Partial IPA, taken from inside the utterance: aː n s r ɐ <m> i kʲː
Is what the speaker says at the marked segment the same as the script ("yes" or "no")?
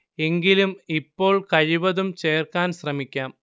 yes